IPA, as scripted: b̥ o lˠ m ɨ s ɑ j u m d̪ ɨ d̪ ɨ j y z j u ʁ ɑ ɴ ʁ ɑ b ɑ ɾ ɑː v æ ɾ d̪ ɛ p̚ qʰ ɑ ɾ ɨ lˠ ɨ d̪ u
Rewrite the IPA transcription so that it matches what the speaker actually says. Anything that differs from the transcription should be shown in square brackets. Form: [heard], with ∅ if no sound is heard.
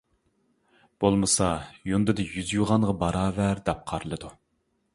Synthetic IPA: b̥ o lˠ m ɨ s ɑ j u [n] d̪ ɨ d̪ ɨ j y z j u ʁ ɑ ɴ ʁ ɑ b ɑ ɾ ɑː v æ ɾ d̪ ɛ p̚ qʰ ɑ ɾ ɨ lˠ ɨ d̪ u